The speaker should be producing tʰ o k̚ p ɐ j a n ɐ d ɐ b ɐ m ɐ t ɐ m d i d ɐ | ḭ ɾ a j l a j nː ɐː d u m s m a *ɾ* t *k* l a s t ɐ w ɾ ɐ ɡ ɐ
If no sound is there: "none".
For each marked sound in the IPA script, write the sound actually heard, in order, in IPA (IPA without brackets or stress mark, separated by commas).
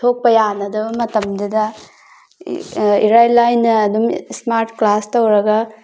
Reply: ɾ, k